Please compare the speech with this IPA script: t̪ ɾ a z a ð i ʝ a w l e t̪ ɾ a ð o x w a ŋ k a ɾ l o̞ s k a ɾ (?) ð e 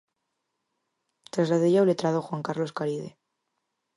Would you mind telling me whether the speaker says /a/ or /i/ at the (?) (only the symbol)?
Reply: i